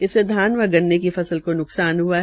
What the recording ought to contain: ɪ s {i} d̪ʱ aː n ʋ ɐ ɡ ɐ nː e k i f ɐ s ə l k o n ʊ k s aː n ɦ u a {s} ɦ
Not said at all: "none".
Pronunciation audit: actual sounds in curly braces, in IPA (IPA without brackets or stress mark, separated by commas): e, none